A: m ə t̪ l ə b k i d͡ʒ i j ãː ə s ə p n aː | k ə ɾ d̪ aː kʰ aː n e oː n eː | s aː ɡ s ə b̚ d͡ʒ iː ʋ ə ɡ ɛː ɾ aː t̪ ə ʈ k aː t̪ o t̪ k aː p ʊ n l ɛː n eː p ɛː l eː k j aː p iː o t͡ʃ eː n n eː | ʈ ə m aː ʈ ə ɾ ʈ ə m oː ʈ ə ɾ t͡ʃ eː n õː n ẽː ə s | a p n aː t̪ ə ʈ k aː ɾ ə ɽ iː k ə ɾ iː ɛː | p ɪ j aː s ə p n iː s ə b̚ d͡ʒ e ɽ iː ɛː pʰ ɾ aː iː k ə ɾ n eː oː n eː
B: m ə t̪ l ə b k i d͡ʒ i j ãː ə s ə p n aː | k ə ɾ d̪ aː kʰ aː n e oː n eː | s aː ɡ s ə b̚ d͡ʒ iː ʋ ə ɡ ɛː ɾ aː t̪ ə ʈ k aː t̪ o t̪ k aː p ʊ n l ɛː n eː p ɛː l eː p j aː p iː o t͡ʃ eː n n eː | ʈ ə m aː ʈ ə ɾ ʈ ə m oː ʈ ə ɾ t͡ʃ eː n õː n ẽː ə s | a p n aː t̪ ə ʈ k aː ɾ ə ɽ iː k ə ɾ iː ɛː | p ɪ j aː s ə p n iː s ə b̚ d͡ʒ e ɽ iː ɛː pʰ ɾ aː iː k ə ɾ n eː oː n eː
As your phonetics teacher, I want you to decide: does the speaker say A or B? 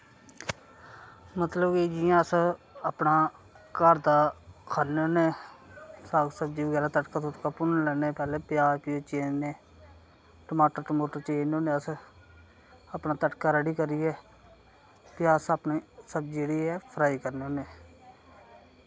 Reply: B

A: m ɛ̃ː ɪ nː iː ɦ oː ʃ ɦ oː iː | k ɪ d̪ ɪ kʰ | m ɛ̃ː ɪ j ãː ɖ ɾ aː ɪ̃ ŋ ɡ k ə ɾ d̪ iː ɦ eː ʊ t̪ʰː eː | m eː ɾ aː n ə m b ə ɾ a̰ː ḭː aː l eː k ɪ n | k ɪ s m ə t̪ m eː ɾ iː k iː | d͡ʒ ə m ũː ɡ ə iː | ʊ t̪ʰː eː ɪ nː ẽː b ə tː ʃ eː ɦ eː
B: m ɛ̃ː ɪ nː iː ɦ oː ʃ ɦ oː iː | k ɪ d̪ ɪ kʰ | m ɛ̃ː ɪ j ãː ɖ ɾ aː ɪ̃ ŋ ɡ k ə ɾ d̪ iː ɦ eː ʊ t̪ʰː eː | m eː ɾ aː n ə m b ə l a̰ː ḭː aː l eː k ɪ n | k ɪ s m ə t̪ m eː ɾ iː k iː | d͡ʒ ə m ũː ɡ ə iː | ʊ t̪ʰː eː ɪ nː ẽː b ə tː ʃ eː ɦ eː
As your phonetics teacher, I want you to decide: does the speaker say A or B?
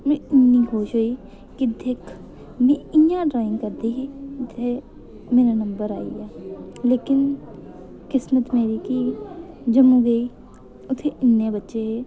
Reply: A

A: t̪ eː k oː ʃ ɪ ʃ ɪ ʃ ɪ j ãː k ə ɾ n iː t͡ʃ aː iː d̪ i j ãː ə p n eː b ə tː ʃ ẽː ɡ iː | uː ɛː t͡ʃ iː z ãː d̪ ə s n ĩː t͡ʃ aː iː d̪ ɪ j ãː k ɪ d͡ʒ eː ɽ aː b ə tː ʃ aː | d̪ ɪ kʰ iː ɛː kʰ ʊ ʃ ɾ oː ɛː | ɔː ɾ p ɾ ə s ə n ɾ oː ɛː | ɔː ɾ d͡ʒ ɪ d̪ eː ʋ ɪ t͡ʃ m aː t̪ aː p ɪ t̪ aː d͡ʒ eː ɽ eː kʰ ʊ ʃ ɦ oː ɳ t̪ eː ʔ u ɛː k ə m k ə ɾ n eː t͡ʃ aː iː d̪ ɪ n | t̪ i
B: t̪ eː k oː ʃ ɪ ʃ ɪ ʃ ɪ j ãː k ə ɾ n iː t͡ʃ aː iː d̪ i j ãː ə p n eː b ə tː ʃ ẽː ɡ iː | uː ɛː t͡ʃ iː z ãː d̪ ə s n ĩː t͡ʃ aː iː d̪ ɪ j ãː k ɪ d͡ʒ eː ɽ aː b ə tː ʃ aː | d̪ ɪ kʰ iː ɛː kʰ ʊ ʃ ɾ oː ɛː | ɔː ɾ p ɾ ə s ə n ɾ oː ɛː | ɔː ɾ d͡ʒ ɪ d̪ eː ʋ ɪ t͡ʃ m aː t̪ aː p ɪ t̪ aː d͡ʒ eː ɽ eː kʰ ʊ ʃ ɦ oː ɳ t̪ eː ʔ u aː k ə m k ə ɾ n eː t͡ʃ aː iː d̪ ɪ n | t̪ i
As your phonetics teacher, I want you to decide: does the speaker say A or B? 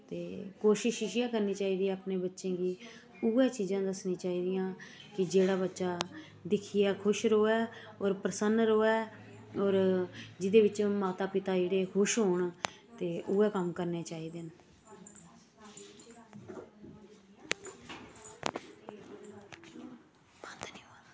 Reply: A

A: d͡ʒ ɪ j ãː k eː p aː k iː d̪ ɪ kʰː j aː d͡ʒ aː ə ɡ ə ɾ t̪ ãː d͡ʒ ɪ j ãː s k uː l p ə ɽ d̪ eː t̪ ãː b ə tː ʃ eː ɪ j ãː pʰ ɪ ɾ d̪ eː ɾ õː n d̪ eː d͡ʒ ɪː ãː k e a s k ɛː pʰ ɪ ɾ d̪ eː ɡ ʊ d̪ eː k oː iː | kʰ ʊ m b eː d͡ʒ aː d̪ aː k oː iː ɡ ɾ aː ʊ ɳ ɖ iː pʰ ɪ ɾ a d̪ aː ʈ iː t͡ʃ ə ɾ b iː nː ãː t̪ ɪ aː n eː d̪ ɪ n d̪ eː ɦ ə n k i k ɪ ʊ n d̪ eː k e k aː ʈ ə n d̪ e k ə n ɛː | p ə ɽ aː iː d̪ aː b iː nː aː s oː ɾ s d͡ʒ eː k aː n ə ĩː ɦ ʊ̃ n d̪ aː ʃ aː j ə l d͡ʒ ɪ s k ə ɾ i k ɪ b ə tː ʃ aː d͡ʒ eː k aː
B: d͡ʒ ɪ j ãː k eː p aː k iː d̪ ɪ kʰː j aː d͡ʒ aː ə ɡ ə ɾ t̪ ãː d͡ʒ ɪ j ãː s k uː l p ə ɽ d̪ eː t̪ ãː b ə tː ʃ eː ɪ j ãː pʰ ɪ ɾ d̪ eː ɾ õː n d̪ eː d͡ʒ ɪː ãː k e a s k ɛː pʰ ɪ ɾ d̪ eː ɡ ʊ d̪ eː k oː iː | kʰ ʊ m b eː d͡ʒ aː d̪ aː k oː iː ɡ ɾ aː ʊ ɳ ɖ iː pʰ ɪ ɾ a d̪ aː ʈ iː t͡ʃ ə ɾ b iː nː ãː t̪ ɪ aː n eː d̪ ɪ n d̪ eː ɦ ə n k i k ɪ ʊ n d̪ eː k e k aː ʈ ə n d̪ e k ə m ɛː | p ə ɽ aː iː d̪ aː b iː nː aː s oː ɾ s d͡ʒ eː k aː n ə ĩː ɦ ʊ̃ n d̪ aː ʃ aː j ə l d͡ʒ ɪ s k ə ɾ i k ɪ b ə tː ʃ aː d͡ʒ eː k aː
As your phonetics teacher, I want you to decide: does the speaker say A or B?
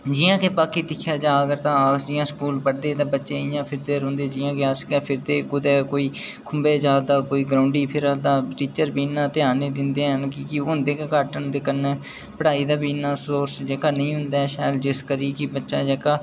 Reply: A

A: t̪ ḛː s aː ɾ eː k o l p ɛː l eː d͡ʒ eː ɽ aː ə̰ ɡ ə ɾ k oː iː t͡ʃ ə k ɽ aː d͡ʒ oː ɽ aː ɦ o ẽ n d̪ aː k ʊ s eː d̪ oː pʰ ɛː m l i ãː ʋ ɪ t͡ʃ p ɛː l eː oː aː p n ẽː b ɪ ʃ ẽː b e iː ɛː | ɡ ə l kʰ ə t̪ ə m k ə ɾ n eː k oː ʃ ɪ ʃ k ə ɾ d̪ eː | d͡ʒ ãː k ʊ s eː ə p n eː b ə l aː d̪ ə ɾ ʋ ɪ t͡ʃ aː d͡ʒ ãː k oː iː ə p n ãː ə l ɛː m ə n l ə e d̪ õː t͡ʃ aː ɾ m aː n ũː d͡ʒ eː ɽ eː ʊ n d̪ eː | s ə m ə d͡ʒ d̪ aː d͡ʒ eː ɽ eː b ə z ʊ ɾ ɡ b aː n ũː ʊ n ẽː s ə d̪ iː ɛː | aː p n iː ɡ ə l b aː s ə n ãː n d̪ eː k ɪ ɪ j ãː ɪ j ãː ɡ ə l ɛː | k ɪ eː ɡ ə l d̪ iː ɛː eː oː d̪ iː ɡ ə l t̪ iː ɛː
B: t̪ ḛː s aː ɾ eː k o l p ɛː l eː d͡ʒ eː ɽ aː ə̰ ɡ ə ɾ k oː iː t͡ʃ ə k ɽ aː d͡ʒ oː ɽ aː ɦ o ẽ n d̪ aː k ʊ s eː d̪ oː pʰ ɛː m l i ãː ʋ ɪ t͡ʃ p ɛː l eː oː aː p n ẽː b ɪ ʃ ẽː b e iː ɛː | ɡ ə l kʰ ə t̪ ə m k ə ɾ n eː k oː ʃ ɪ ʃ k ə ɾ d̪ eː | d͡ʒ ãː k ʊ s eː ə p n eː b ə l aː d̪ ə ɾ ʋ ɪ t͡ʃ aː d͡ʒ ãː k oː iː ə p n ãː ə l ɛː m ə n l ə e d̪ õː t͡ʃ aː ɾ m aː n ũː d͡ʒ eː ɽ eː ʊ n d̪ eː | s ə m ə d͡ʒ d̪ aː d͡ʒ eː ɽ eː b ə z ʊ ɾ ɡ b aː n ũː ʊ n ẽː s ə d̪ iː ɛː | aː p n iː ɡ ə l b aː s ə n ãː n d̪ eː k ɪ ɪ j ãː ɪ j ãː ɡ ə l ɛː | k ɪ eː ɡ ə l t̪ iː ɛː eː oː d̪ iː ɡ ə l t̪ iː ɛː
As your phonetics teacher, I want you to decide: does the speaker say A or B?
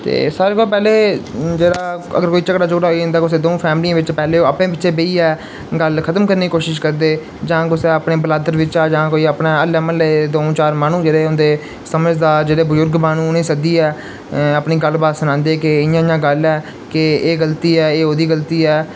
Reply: B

